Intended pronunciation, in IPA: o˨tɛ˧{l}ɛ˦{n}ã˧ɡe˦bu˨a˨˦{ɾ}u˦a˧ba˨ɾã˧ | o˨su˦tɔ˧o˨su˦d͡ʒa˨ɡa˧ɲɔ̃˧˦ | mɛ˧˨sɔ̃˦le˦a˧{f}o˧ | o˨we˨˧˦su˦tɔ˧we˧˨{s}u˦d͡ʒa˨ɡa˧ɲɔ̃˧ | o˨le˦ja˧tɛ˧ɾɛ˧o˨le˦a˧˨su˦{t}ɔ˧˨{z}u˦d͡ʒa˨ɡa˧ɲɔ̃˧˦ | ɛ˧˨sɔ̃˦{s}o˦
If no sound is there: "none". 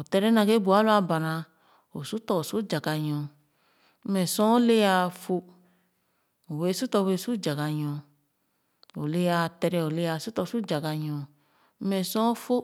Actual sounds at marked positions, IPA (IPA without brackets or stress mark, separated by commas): ɾ, n, l, f, s, t, s, f